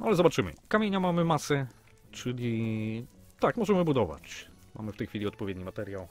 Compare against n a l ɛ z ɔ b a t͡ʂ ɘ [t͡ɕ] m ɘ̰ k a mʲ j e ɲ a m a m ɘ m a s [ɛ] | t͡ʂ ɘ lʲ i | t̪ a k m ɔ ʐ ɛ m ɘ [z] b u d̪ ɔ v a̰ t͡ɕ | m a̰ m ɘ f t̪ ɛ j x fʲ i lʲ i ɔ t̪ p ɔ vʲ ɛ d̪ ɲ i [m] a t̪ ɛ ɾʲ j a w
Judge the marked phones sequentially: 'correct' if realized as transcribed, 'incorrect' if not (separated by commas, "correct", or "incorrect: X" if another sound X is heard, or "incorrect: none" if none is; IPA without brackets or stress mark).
incorrect: none, correct, incorrect: none, correct